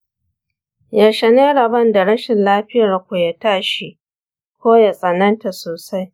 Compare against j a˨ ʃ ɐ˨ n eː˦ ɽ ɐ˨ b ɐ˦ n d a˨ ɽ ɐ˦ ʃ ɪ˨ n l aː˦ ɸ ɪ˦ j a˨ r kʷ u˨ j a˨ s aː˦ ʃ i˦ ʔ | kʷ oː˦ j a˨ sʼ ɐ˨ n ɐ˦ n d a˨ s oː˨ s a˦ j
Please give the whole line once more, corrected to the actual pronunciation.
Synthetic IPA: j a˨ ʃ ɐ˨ n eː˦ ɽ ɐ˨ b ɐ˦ n d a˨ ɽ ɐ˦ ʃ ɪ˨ n l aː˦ ɸ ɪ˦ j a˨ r kʷ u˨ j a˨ t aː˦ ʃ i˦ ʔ | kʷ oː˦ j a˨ sʼ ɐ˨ n ɐ˦ n t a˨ s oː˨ s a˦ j